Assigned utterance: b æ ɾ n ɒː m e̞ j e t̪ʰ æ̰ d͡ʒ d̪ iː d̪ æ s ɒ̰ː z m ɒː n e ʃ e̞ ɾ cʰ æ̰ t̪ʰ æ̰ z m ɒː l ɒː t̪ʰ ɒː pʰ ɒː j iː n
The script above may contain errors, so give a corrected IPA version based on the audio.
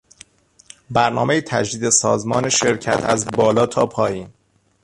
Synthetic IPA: b æ ɾ n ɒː m e̞ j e t̪ʰ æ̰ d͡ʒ d̪ iː d̪ e s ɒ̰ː z m ɒː n e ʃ e̞ ɾ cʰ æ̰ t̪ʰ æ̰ z b ɒː l ɒː t̪ʰ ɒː pʰ ɒː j iː n